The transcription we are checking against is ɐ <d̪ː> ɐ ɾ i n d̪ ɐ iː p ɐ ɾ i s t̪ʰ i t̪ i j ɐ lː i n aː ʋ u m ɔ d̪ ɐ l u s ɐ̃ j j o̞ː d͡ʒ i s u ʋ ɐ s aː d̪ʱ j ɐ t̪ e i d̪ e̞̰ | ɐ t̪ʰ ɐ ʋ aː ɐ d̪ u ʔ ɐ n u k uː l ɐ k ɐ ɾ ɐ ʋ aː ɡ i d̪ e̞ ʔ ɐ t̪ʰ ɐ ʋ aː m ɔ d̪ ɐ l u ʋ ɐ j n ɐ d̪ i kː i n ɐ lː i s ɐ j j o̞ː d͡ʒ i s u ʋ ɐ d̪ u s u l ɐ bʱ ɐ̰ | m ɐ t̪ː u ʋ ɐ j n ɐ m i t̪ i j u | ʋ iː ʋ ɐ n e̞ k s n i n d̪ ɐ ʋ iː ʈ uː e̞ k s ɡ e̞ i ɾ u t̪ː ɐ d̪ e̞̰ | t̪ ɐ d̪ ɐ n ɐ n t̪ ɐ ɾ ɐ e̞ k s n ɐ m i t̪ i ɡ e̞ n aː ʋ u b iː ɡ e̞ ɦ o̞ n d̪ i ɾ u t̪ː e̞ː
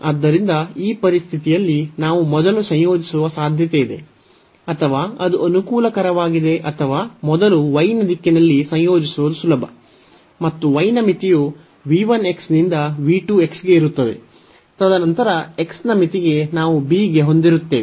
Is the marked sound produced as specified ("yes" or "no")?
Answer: yes